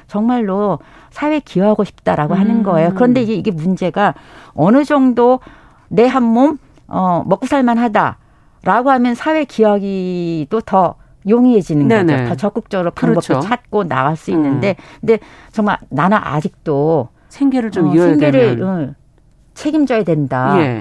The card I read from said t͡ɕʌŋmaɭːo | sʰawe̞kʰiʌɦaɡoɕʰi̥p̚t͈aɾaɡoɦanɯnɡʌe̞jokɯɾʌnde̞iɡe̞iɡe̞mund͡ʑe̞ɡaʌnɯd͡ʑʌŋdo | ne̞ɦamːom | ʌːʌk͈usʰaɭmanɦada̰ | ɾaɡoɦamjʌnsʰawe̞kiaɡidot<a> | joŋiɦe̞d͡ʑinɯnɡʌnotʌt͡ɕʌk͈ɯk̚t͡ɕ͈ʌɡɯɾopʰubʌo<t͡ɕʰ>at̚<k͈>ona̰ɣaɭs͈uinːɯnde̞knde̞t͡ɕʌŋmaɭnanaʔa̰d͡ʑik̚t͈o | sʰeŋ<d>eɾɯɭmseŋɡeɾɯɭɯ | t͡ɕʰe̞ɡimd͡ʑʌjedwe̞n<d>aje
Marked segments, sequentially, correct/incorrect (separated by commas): incorrect, correct, correct, incorrect, correct